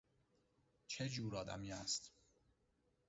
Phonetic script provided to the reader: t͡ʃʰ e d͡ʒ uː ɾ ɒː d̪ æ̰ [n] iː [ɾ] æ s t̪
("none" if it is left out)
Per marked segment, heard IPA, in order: m, none

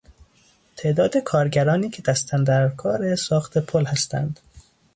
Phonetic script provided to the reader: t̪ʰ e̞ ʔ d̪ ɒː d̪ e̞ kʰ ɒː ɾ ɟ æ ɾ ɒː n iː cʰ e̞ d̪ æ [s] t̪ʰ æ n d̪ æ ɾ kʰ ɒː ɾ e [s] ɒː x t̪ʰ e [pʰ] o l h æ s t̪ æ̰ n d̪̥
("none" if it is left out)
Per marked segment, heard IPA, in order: s, s, pʰ

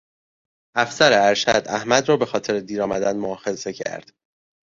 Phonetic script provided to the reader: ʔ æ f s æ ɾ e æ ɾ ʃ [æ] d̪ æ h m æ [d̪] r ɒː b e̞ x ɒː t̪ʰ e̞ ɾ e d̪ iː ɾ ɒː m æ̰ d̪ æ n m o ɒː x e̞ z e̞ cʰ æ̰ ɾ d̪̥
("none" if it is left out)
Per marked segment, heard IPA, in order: æ, d̪

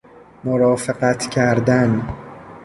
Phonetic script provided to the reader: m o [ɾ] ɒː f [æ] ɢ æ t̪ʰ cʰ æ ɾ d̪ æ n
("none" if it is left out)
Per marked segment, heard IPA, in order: ɾ, e

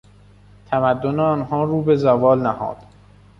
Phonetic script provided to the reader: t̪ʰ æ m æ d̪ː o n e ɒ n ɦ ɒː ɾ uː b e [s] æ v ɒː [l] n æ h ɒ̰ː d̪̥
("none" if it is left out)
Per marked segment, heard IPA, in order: z, l

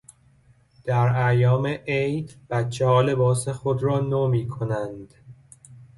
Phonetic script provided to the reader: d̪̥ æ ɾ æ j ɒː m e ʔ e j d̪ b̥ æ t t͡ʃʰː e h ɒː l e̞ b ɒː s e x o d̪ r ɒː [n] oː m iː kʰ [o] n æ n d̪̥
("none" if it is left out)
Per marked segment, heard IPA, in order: n, o

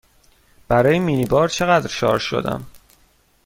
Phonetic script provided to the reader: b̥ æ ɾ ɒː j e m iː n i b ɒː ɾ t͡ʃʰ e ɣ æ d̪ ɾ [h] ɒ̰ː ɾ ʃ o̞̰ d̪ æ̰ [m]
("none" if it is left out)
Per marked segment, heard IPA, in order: ʃ, m

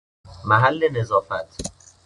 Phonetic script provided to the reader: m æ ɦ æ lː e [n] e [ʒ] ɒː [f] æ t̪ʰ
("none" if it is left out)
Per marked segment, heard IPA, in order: n, z, f

